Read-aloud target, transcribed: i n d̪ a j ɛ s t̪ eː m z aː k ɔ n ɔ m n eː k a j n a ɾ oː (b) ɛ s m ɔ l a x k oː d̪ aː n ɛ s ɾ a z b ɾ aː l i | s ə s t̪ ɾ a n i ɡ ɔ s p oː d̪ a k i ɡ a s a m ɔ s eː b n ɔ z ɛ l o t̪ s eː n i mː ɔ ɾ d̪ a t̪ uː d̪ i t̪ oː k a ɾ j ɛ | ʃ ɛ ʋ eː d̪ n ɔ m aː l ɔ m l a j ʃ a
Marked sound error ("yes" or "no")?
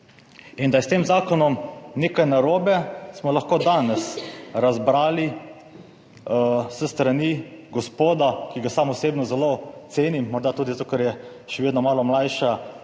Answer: no